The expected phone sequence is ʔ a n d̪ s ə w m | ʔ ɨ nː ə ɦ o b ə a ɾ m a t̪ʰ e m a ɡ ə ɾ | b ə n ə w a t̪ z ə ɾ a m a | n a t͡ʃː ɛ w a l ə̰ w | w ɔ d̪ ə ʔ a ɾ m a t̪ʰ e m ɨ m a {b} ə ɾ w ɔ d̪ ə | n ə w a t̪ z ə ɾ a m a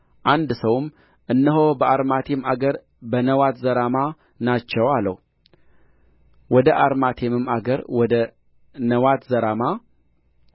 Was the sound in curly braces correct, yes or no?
no